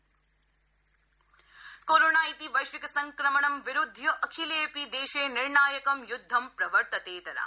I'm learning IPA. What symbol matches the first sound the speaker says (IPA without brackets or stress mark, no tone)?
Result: k